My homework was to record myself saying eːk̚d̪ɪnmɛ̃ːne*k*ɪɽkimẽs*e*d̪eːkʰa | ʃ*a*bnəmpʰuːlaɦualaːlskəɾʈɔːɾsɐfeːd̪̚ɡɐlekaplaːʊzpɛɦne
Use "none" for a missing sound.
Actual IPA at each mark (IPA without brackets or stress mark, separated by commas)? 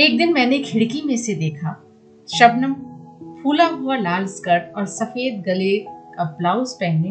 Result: kʰ, e, ɐ